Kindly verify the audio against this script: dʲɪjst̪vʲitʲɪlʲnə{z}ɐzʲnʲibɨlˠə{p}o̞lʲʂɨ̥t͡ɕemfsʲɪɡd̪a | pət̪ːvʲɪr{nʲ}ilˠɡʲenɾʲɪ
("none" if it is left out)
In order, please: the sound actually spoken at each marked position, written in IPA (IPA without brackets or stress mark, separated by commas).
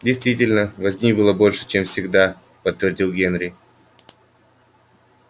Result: v, b, dʲ